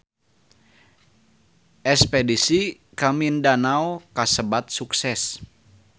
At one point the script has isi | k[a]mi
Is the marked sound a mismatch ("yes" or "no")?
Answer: no